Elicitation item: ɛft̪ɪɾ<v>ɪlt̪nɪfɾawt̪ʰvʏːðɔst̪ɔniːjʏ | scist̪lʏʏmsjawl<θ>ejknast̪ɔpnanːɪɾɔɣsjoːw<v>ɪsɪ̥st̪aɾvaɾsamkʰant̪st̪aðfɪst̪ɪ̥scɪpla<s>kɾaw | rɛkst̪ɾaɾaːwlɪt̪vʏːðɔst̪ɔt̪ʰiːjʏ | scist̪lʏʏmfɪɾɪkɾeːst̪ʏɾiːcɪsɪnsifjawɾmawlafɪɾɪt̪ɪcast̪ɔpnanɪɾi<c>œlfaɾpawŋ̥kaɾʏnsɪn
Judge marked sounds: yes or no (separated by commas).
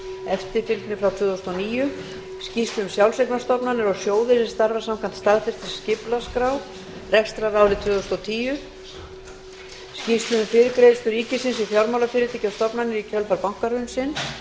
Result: no, no, no, yes, no